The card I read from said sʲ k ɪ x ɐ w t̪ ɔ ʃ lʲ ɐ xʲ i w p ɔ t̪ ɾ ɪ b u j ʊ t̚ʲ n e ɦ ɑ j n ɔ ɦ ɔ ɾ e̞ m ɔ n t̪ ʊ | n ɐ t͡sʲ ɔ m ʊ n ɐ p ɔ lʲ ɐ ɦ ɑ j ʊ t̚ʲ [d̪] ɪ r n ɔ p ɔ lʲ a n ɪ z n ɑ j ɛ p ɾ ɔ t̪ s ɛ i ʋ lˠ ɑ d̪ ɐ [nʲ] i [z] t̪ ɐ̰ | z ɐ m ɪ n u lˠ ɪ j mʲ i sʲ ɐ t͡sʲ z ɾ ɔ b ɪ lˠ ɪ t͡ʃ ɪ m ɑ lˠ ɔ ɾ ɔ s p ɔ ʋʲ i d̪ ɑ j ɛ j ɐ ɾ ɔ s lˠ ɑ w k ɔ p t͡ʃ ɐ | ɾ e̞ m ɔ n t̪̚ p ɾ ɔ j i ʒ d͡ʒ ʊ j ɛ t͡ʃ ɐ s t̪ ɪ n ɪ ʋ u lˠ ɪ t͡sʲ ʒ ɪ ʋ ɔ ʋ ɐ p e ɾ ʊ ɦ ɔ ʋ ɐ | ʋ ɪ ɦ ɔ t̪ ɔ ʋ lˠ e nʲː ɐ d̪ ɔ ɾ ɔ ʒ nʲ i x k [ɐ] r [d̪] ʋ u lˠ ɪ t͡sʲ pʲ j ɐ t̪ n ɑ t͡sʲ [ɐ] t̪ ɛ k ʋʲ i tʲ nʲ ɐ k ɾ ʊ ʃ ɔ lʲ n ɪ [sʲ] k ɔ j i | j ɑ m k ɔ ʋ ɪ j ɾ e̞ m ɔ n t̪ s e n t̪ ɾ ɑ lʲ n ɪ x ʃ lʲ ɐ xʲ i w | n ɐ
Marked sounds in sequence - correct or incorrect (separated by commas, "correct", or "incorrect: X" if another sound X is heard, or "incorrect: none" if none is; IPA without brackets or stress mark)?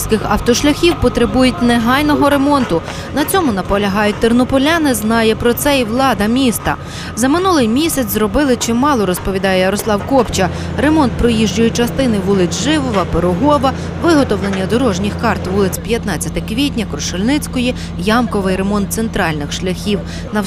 incorrect: t̪, incorrect: mʲ, incorrect: s, incorrect: ɑ, incorrect: t̪, correct, incorrect: t͡sʲ